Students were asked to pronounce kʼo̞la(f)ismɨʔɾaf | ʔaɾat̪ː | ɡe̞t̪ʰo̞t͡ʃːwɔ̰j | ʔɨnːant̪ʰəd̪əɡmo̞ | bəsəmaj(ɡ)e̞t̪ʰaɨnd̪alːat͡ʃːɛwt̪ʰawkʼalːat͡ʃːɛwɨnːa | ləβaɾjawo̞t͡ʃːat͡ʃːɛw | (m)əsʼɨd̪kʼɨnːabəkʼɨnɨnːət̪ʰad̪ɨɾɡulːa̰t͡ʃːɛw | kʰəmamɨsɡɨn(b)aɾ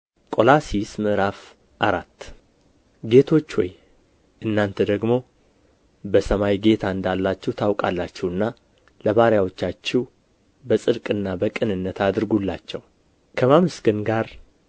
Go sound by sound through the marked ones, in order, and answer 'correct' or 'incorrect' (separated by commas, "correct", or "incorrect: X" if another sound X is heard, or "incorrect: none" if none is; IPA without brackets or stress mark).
incorrect: s, correct, incorrect: b, incorrect: ɡ